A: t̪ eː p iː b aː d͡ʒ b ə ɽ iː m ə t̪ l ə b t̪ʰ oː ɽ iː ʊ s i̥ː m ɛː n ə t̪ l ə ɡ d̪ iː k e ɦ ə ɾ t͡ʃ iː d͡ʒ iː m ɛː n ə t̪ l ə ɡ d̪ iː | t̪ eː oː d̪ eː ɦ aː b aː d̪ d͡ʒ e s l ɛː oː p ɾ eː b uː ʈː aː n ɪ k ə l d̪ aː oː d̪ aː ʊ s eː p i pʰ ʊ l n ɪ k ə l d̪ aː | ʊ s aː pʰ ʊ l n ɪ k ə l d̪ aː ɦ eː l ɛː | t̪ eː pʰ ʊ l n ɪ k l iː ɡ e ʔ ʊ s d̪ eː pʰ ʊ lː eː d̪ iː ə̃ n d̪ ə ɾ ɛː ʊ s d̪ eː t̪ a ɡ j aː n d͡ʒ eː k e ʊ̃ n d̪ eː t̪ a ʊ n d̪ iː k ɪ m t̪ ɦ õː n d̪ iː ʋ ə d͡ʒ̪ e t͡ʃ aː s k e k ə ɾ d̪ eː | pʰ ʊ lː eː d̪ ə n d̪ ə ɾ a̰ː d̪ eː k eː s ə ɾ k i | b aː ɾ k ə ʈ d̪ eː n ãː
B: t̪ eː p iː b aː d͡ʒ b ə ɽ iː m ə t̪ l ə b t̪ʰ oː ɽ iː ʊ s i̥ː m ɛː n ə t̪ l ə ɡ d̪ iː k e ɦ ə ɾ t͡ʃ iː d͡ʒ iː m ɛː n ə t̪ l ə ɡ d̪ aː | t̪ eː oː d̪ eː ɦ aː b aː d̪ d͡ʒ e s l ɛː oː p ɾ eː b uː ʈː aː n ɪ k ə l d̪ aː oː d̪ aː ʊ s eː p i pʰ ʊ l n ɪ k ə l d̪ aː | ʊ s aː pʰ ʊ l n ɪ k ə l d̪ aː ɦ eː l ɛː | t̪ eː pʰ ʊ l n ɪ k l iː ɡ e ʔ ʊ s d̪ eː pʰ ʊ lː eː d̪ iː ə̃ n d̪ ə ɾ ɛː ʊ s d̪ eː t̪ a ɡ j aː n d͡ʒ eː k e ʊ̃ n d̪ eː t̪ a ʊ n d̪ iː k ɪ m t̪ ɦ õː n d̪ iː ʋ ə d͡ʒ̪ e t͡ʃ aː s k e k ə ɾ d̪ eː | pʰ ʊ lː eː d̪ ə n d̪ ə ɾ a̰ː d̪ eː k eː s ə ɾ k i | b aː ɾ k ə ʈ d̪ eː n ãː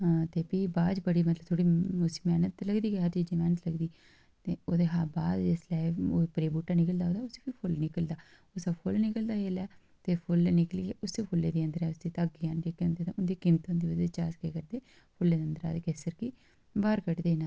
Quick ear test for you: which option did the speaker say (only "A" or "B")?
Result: A